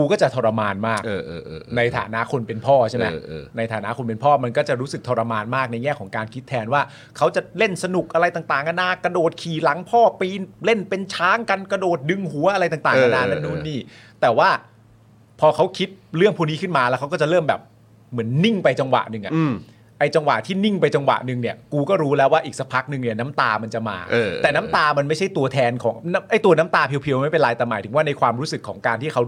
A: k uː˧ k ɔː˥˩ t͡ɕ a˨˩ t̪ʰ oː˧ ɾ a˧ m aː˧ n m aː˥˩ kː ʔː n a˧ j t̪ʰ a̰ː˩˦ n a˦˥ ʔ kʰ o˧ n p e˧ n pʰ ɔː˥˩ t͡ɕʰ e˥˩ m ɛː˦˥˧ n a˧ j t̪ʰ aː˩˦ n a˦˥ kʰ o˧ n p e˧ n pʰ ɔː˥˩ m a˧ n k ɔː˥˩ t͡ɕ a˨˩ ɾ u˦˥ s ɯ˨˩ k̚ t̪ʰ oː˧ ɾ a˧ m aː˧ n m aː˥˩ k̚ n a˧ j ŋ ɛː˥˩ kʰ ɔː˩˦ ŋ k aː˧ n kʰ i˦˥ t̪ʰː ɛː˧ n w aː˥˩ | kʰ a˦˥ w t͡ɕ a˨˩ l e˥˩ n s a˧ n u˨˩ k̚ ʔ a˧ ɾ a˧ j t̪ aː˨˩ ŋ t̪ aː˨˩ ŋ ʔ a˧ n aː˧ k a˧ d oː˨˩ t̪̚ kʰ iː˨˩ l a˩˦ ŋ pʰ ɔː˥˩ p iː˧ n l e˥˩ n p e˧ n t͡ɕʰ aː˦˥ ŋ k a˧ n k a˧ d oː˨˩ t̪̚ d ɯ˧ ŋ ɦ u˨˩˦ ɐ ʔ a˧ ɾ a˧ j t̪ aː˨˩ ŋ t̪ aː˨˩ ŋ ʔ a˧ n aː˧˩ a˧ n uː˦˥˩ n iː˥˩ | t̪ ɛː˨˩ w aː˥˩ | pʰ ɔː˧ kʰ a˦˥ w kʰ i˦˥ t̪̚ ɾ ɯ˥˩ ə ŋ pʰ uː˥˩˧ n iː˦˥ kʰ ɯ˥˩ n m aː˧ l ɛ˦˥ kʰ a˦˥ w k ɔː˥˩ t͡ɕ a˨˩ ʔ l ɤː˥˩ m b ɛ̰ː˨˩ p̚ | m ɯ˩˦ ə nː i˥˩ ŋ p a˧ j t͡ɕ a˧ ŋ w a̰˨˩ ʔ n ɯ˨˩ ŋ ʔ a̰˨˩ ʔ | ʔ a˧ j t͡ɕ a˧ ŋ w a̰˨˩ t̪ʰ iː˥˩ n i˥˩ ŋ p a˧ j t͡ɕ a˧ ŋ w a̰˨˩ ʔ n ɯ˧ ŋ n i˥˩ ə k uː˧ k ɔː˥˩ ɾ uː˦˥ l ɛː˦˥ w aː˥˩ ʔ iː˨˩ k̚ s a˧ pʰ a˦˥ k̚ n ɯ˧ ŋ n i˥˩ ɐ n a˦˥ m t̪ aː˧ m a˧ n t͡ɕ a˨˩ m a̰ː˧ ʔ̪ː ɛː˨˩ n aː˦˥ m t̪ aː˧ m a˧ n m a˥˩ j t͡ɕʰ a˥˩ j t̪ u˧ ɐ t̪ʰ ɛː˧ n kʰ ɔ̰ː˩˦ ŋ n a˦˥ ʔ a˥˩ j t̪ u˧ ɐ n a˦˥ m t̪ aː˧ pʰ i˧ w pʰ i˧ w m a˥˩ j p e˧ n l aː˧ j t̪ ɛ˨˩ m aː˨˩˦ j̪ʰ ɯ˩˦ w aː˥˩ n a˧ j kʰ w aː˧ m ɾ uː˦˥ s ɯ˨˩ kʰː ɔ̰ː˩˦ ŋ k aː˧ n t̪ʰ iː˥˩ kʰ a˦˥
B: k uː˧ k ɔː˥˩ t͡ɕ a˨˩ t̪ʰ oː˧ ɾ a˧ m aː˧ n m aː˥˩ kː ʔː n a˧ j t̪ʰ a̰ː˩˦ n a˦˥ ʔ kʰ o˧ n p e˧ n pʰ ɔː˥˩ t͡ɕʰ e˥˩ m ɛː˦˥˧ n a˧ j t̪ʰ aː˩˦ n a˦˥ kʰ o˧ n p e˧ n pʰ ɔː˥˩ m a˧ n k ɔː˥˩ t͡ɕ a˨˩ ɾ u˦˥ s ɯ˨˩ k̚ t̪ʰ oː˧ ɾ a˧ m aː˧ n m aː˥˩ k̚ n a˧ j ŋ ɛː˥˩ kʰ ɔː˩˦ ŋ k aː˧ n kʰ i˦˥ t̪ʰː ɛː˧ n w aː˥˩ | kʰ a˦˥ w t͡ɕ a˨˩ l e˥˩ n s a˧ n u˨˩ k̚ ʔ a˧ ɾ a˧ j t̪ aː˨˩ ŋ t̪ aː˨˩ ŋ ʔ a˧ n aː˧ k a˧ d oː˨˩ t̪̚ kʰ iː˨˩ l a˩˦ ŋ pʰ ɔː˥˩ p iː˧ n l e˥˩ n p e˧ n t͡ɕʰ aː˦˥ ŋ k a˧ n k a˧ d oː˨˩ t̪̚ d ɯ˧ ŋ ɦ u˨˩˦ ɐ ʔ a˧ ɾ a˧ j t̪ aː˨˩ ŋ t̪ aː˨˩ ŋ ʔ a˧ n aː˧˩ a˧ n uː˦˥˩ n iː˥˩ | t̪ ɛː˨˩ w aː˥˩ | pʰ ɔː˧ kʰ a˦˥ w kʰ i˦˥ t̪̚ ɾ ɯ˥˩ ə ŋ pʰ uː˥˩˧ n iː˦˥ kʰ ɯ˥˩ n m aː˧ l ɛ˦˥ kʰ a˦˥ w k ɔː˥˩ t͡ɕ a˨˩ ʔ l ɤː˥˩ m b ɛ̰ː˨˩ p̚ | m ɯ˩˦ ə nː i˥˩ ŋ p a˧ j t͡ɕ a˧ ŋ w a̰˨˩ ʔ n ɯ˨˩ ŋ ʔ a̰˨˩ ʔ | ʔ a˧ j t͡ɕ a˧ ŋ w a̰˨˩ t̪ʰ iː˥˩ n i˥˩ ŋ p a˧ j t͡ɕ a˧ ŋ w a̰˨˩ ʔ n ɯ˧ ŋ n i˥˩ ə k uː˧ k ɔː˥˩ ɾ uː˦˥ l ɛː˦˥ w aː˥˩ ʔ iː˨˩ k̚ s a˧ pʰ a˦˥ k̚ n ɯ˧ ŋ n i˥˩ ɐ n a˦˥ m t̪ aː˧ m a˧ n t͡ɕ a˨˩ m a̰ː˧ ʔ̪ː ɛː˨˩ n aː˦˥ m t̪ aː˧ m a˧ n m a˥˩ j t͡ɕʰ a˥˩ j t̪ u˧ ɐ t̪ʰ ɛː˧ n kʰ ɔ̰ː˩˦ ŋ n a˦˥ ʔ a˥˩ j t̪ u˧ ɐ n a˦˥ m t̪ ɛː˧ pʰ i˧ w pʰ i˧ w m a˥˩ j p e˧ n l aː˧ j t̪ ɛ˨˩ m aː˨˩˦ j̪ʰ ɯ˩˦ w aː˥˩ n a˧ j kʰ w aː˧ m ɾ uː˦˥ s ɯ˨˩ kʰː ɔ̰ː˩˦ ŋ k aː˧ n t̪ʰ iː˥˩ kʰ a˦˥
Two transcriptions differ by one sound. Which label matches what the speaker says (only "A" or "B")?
A